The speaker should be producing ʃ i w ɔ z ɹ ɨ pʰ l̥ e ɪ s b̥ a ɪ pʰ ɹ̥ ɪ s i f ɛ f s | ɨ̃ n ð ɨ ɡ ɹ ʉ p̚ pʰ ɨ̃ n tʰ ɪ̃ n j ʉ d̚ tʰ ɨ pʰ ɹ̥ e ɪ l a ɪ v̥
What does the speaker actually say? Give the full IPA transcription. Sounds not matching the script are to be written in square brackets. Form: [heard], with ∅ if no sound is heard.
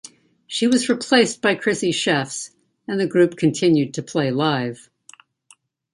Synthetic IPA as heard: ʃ i w [ʌ] z ɹ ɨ pʰ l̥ e ɪ s b̥ a ɪ [kʰ] ɹ̥ ɪ s i [ʃ] ɛ f s | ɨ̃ n ð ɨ ɡ ɹ ʉ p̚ [kʰ] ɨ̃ n tʰ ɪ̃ n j ʉ d̚ tʰ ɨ pʰ [l̥] e ɪ l a ɪ v̥

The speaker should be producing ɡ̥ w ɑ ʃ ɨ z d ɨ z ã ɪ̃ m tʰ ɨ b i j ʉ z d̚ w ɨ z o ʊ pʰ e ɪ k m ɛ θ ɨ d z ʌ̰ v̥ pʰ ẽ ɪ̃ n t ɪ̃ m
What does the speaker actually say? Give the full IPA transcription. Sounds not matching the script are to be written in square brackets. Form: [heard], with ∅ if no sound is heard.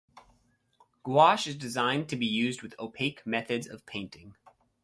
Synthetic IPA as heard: ɡ̥ w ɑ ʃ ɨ z d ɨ z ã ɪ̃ [n] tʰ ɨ b i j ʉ z d̚ w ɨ [ð] o ʊ pʰ e ɪ k m ɛ θ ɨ d z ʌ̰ v̥ pʰ ẽ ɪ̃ n t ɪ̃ [ŋ]

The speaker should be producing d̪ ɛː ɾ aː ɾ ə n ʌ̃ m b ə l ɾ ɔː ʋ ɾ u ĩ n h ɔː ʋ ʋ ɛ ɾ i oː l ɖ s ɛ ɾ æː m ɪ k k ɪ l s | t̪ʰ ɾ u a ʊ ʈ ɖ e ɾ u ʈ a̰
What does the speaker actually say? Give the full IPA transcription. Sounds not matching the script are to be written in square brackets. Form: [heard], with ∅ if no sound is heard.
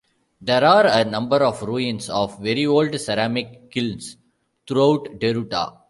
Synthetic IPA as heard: d̪ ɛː ɾ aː ɾ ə n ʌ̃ m b ə [∅] ɾ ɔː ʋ ɾ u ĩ n [s] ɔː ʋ ʋ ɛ ɾ i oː l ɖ s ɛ ɾ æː m ɪ k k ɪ l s | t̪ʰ ɾ u a ʊ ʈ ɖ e ɾ u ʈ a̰

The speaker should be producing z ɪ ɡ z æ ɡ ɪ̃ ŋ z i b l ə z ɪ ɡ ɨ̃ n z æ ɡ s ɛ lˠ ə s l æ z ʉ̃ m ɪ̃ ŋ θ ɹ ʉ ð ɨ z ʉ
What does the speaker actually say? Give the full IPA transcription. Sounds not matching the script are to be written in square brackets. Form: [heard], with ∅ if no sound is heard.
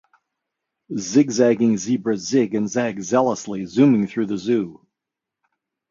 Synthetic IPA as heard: z ɪ ɡ z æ ɡ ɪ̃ ŋ z i b [ɹ] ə z ɪ ɡ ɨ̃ n z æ ɡ [z] ɛ lˠ ə s l [i] z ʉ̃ m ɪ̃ ŋ θ ɹ ʉ ð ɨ z ʉ

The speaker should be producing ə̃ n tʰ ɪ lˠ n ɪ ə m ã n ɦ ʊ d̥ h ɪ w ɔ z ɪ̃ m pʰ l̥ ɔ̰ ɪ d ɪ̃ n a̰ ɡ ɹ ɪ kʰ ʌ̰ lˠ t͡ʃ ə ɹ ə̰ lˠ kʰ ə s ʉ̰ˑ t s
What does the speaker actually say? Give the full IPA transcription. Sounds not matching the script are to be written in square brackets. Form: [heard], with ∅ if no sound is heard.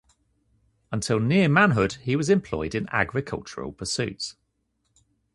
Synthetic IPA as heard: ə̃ n tʰ ɪ lˠ n ɪ ə m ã n ɦ ʊ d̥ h [i] w [ɒ] z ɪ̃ m pʰ l̥ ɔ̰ ɪ d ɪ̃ n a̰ ɡ ɹ ɪ kʰ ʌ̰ lˠ t͡ʃ ə ɹ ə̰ lˠ [pʰ] ə s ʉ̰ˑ t s

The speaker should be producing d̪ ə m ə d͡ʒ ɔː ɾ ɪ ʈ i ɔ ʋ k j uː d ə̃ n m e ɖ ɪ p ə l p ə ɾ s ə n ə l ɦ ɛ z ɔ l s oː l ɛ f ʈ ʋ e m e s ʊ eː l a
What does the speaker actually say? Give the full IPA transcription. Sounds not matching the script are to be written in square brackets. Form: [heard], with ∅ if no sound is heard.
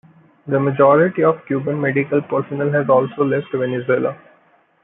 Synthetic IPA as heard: d̪ ə m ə d͡ʒ ɔː ɾ ɪ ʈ i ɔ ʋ k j uː [b] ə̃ n m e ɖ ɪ [k] ə l p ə ɾ s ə n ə l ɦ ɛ z [ɔː] l s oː l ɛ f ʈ ʋ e [n] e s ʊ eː l a

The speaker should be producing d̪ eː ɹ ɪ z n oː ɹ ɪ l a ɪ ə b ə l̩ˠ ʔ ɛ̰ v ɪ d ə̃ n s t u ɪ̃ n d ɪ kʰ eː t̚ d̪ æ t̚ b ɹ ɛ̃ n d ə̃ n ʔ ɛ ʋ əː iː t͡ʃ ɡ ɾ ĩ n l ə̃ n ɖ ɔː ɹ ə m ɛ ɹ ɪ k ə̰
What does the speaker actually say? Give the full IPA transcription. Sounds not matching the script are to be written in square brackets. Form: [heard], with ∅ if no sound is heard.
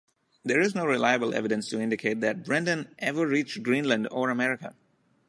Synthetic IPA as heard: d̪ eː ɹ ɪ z n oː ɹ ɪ l a ɪ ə b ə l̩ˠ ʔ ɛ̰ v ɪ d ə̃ n s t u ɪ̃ n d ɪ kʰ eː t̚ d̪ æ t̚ b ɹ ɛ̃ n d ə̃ n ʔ ɛ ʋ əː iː t͡ʃ ɡ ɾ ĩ n l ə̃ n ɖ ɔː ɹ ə m ɛ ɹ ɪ k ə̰

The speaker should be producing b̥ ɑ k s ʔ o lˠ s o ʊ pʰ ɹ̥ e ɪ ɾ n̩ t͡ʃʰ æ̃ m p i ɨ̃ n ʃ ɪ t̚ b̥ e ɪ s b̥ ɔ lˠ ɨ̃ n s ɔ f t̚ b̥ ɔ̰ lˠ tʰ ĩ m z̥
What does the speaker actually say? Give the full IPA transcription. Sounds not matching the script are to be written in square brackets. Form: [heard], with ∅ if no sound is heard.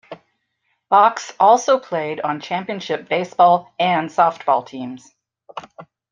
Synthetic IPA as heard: b̥ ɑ k s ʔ [ɔ] lˠ s o ʊ pʰ [l̥] e ɪ ɾ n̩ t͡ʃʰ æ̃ m p i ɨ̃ n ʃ ɪ [p̚] b̥ e ɪ s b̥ ɔ lˠ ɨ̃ n s ɔ f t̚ b̥ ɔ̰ lˠ tʰ ĩ m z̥

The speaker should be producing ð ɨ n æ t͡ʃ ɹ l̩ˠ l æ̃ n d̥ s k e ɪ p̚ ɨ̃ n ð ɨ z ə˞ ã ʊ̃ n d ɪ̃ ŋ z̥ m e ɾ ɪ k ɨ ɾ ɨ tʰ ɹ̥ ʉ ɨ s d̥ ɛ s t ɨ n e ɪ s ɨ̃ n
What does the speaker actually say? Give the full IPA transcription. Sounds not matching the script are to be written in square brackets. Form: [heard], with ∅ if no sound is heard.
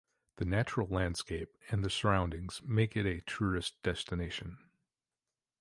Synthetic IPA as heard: ð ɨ n æ t͡ʃ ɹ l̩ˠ l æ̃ n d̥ s k e ɪ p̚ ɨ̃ n ð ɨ [s] ə˞ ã ʊ̃ n d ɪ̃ ŋ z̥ m e [∅] ɪ k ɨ ɾ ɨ tʰ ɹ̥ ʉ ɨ s d̥ ɛ s t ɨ n e ɪ [ʃ] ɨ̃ n

